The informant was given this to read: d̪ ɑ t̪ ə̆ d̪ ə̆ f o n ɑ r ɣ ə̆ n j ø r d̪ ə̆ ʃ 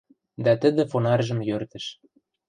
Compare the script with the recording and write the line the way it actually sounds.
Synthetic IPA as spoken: d̪ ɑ t̪ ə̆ d̪ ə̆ f o n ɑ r ʒ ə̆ m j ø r t̪ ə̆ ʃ